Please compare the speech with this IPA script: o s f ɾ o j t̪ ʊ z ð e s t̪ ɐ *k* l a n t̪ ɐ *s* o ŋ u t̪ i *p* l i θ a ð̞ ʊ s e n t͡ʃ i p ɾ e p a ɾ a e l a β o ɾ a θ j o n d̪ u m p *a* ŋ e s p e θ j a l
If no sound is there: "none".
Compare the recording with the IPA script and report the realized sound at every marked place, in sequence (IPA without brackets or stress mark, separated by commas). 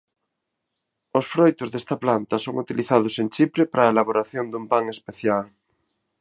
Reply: p, s, none, a